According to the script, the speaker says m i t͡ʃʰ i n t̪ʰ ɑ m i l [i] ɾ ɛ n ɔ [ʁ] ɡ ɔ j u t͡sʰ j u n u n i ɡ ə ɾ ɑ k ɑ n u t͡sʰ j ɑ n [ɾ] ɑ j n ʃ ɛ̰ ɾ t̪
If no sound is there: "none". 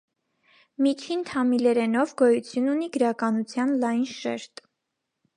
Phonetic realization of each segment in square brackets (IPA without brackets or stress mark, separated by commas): ɛ, v, l